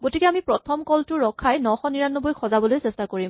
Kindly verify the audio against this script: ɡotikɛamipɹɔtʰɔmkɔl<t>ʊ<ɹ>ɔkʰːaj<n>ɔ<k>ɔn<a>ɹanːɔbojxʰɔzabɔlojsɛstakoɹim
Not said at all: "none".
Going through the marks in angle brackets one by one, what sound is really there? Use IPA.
t, ɹ, n, x, i

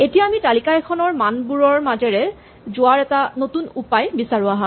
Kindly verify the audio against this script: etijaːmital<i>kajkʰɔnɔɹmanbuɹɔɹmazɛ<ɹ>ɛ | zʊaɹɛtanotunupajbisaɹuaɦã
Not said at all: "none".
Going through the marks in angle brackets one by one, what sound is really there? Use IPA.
i, ɹ

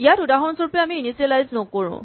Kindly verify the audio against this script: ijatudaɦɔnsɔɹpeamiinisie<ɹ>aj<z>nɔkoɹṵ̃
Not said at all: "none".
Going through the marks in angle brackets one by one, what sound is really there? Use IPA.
l, z

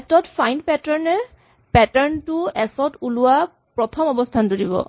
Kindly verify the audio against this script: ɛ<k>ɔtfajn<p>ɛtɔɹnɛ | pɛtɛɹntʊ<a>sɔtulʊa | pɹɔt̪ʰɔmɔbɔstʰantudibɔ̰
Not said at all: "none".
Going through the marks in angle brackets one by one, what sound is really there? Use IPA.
t, p, ɛ

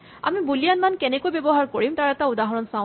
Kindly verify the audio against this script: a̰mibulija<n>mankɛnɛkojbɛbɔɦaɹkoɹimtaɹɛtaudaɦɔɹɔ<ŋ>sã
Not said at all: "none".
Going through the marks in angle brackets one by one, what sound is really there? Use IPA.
n, n

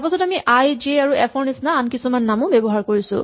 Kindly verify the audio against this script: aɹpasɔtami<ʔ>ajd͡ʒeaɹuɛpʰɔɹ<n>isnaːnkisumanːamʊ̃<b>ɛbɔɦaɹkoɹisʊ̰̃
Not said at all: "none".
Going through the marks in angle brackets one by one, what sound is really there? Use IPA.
ʔ, n, b

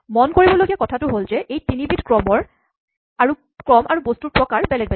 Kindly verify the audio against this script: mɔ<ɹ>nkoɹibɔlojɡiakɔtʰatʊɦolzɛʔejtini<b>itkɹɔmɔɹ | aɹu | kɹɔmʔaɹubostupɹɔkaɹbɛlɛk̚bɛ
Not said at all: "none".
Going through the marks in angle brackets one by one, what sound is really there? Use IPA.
none, b

